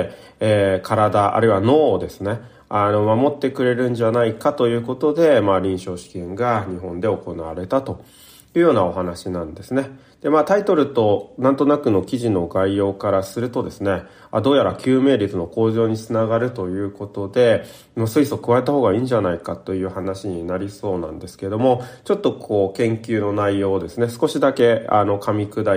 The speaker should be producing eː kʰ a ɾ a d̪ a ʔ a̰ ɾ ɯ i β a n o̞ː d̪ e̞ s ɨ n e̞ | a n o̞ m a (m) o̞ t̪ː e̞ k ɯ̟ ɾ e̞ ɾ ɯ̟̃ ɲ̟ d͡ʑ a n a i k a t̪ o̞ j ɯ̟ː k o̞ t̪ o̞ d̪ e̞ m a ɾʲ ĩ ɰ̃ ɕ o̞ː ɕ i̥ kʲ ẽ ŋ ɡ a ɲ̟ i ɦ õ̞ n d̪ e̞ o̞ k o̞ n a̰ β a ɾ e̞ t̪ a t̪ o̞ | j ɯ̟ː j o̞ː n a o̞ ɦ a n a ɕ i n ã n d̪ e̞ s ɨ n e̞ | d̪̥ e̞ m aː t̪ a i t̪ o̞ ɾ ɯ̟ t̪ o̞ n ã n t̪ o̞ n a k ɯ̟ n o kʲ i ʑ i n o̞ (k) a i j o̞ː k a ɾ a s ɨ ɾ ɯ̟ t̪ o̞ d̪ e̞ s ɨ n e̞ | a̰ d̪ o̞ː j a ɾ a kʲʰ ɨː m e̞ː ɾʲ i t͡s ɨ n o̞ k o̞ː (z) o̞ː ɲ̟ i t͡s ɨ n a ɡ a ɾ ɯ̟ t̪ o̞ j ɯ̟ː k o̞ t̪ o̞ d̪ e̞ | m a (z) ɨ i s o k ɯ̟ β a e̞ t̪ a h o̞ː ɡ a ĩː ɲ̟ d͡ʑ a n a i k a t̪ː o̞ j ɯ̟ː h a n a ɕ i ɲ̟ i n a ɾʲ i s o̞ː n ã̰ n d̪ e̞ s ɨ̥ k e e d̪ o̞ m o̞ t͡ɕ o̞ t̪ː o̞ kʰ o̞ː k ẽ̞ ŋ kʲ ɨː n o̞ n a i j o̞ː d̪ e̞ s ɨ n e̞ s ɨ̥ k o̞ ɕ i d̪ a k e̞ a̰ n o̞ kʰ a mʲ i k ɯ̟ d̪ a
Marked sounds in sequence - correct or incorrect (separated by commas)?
correct, incorrect, incorrect, incorrect